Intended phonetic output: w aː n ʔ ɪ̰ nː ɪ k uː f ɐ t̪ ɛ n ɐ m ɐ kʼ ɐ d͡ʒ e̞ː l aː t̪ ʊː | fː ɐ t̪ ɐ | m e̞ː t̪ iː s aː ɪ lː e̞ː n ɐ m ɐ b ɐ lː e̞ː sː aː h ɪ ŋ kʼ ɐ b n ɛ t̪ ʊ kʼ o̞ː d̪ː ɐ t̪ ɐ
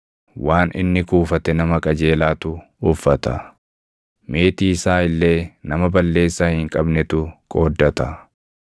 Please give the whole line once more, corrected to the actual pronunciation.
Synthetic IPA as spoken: w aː n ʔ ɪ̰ nː ɪ k uː f ɐ t̪ ɛ n ɐ m ɐ kʼ ɐ d͡ʒ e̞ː l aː t̪ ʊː | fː ɐ t̪ ɐ | m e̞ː t̪ iː s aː ɪ lː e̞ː n ɐ m ɐ b ɐ lː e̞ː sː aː h ɪ ŋ kʼ ɐ b n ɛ t̪ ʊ kʼ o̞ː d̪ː ɐ t̪ ɐ